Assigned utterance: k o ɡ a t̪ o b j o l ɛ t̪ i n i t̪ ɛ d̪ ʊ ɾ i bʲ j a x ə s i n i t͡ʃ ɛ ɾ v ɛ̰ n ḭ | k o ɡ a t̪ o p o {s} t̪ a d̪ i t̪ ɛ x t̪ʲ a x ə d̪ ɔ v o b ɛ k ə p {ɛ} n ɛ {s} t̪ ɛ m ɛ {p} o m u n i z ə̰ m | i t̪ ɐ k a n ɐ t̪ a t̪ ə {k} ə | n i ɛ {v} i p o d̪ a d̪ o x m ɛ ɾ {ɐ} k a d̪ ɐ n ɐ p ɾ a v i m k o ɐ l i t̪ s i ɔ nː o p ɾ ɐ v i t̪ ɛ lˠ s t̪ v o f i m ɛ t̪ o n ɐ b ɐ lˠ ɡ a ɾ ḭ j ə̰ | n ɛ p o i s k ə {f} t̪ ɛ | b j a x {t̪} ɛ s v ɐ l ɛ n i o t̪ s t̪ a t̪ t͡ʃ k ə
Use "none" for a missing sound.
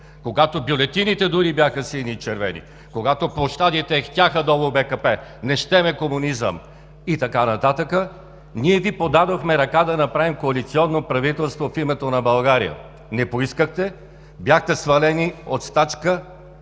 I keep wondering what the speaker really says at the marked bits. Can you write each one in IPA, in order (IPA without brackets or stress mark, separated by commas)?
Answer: ʃ, ɛ, ʃ, k, k, v, ɐ, x, t̪